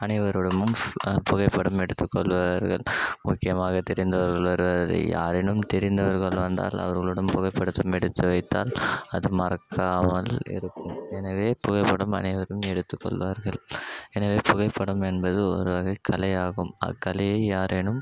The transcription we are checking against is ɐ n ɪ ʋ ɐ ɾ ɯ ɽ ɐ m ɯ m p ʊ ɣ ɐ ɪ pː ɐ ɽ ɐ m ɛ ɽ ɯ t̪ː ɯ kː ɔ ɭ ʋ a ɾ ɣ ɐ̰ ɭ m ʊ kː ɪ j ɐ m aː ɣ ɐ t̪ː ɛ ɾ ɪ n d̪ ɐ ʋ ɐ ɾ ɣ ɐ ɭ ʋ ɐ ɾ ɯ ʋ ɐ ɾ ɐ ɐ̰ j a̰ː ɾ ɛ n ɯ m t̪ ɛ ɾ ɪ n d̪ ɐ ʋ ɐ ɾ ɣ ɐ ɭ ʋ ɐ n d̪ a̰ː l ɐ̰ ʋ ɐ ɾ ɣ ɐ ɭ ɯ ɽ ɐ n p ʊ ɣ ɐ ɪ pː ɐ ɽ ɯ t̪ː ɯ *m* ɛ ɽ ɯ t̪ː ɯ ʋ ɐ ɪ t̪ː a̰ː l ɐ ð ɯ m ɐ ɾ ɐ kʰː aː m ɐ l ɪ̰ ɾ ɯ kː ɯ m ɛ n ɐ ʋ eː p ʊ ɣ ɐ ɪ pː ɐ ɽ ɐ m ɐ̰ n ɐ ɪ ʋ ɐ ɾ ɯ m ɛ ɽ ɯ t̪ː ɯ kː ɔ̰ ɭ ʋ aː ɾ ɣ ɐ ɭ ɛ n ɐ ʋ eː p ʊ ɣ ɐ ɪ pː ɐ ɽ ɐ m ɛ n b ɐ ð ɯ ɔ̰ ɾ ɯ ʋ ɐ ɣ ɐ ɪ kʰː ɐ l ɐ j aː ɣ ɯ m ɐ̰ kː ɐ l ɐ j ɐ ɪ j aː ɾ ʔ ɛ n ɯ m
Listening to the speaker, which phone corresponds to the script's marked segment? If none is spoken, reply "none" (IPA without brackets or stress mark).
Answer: m